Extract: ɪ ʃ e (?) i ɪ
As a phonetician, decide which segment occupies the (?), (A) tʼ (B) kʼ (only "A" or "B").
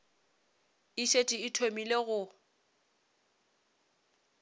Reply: A